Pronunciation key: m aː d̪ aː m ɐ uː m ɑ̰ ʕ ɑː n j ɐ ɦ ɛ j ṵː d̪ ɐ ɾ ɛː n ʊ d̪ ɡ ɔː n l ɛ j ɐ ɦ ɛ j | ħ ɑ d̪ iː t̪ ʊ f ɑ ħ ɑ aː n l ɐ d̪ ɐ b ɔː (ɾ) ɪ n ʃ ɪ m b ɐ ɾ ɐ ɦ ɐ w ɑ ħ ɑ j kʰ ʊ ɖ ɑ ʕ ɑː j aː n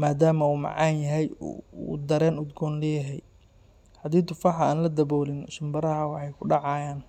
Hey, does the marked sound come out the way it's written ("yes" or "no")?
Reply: no